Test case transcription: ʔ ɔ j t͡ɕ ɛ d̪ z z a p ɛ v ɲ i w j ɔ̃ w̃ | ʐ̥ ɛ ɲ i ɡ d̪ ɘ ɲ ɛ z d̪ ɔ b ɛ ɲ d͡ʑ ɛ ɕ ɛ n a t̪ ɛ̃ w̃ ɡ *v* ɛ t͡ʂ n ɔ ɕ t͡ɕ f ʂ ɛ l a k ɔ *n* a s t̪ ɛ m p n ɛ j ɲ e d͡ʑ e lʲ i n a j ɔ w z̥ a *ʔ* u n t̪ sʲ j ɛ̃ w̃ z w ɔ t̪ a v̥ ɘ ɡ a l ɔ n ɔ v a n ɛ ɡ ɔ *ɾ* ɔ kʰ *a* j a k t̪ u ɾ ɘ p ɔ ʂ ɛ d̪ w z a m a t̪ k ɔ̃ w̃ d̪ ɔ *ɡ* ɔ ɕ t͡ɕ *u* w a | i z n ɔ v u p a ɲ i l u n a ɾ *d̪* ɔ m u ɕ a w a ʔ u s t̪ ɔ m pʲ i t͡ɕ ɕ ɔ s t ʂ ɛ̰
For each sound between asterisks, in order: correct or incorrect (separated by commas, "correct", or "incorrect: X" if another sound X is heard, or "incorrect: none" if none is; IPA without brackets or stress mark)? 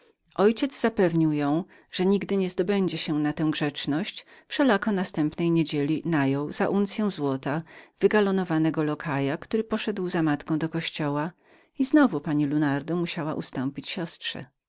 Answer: incorrect: ʐ, correct, correct, incorrect: l, correct, incorrect: k, incorrect: ɔ, correct